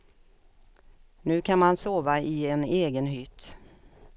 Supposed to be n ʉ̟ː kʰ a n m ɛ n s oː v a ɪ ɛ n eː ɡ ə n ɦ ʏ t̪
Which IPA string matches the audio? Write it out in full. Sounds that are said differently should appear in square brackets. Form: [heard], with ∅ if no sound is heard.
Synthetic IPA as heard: n ʉ̟ː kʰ a n m [a] n s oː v a ɪ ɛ n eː ɡ ə n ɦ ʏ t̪